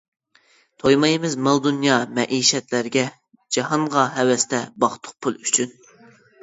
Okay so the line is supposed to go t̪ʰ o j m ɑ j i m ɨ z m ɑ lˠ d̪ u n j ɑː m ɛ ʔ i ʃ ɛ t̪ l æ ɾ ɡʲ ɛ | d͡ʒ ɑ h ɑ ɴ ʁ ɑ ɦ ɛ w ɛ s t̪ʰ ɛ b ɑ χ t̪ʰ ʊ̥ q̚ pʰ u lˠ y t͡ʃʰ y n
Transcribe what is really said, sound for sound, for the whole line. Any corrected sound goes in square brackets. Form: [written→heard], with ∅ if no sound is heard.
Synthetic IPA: t̪ʰ o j m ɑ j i m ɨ z m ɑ lˠ d̪ u n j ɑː m ɛ ʔ i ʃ ɛ t̪ l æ ɾ ɡʲ ɛ | d͡ʒ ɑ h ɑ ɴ ʁ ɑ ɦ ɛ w ɛ s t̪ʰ ɛ b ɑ χ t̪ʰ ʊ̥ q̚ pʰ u lˠ y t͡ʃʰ y n